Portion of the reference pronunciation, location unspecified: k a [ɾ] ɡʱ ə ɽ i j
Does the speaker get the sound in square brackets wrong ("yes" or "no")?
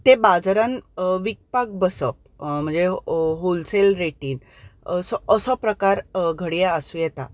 no